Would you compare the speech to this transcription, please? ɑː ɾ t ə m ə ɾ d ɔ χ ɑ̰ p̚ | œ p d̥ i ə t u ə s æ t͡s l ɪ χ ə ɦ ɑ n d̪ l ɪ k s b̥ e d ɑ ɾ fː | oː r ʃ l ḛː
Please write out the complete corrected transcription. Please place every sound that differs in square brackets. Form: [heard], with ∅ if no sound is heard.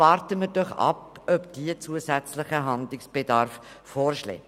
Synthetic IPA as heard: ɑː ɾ t ə m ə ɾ d ɔ χ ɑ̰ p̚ | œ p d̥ i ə [t͡s] u ə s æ t͡s l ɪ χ ə ɦ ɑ n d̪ l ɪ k s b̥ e d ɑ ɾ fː | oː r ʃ l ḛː